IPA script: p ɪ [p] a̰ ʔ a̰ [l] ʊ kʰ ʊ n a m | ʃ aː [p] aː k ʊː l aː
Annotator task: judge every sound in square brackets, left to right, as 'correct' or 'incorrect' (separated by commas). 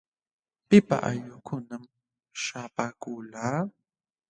correct, incorrect, correct